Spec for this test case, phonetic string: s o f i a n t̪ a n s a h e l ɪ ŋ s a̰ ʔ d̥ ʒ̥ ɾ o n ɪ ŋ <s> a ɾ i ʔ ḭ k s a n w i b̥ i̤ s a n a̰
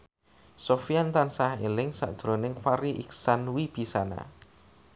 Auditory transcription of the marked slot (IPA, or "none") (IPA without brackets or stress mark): f